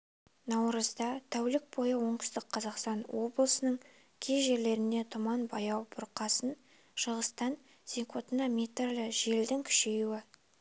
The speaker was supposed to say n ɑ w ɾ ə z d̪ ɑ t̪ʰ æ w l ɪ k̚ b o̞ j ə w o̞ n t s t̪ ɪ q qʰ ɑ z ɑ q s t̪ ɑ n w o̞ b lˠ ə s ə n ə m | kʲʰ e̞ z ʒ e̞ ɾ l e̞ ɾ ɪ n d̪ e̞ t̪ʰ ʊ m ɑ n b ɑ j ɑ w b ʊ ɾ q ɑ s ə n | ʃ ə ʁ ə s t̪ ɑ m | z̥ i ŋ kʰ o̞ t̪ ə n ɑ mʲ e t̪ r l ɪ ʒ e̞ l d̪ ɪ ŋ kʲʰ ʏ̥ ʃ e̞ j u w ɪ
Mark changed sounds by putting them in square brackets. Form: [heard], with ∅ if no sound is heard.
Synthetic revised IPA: n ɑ w ɾ ə z d̪ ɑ t̪ʰ æ w l ɪ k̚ b o̞ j ə w o̞ [ɴ] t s t̪ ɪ q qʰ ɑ z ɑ q s t̪ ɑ n w o̞ b lˠ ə s ə n ə [ɴ] | kʲʰ e̞ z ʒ e̞ ɾ l e̞ ɾ ɪ n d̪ e̞ t̪ʰ ʊ m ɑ n b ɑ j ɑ w b ʊ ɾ q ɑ s ə n | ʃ ə ʁ ə s t̪ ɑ [n] | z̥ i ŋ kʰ o̞ t̪ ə n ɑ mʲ e t̪ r l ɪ ʒ e̞ l d̪ ɪ ŋ kʲʰ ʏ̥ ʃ e̞ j u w ɪ